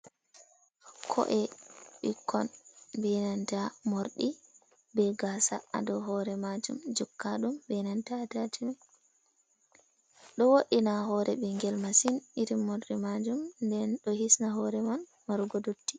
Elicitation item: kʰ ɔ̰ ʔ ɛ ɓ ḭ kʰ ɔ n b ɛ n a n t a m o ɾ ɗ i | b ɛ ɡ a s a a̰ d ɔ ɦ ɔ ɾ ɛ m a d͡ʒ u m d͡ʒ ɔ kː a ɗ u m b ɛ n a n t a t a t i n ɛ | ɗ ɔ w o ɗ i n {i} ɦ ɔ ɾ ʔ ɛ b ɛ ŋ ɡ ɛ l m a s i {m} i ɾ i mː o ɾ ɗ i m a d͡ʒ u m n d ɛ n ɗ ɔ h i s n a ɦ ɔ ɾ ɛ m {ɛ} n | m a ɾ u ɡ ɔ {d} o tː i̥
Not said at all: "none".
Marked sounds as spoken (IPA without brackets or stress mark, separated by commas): a, n, a, d